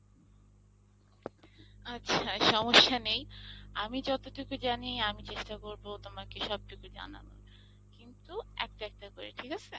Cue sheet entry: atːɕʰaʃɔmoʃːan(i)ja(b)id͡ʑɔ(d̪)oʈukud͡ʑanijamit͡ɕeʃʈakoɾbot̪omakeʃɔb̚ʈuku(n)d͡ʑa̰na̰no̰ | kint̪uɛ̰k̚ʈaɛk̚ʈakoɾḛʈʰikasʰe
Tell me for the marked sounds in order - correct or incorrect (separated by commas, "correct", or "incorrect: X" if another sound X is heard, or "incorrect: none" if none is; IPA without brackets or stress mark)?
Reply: incorrect: e, incorrect: m, incorrect: t̪, incorrect: none